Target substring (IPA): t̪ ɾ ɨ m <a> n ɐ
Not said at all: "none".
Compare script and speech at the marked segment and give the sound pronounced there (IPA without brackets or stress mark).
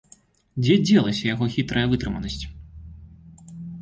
ɐ